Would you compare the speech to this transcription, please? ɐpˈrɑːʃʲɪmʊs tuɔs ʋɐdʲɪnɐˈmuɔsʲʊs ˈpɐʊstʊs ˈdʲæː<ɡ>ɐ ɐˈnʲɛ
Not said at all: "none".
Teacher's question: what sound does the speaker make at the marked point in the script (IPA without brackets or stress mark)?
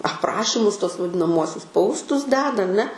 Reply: d